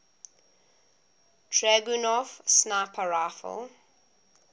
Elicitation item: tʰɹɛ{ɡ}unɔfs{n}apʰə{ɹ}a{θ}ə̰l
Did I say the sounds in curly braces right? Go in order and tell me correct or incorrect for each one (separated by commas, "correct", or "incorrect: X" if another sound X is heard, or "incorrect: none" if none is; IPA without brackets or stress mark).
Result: correct, correct, correct, incorrect: f